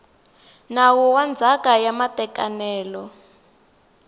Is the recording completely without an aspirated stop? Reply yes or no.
yes